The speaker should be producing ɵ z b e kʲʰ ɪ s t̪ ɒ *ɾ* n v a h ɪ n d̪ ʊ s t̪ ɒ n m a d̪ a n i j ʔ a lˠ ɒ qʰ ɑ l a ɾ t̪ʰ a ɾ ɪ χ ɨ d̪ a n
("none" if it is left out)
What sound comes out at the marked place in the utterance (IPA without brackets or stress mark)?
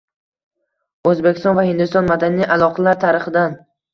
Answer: none